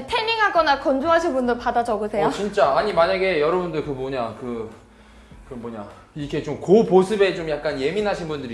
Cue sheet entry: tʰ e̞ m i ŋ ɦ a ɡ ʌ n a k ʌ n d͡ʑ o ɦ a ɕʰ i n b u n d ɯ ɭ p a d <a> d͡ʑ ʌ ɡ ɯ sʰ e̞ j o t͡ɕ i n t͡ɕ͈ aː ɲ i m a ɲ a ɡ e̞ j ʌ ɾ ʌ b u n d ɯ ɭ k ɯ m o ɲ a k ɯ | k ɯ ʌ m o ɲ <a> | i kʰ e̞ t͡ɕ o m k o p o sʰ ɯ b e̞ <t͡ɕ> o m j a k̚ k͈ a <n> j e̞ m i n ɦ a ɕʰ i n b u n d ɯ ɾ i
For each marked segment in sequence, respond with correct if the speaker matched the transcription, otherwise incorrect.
correct, correct, correct, correct

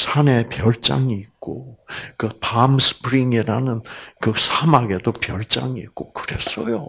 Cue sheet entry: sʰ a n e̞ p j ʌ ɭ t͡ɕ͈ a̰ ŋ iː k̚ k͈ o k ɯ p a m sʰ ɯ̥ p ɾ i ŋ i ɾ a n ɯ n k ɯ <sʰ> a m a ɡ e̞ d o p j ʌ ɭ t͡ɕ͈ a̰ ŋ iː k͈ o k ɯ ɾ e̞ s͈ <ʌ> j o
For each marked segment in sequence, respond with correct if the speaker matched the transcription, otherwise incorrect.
correct, correct

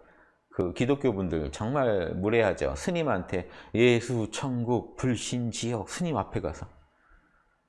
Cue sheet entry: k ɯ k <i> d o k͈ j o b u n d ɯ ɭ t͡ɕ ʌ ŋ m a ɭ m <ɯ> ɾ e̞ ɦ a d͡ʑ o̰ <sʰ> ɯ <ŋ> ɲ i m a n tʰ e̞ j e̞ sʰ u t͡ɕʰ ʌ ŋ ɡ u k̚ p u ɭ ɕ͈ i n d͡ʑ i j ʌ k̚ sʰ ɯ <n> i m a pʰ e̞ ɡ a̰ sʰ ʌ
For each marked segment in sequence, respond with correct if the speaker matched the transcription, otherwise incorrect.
correct, incorrect: u, correct, incorrect: none, incorrect: ɲ

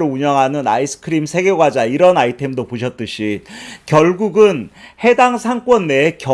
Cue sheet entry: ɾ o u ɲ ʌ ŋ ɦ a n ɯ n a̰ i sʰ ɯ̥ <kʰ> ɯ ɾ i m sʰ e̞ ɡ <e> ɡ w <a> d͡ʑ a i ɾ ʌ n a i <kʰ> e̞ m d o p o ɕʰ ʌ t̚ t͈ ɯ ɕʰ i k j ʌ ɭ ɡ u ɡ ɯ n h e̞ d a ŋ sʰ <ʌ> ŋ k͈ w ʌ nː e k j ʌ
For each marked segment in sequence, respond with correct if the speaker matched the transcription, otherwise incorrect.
correct, correct, correct, incorrect: tʰ, incorrect: a

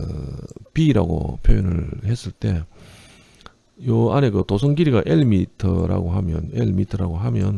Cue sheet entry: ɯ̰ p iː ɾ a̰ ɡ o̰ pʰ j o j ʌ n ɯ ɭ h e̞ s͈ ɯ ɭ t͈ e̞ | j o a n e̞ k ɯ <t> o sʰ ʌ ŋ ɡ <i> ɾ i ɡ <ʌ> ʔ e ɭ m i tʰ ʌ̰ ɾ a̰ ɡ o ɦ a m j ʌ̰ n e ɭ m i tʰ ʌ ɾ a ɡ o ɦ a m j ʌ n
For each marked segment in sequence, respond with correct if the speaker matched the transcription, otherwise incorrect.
correct, correct, incorrect: a

